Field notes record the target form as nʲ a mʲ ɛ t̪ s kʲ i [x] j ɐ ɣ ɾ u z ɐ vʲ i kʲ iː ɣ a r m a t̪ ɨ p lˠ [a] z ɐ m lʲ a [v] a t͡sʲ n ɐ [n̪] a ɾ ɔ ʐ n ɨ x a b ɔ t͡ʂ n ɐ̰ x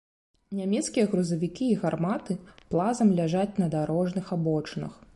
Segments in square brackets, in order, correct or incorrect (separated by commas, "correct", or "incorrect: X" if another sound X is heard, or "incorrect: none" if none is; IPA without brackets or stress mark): incorrect: none, correct, incorrect: ʐ, incorrect: d̪